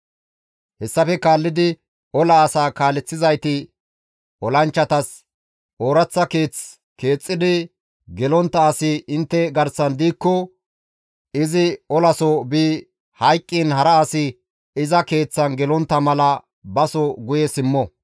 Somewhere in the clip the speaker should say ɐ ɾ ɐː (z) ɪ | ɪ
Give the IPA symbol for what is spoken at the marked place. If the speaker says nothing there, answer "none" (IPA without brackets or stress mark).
s